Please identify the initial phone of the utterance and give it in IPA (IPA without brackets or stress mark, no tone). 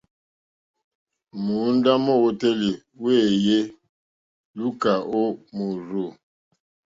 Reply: m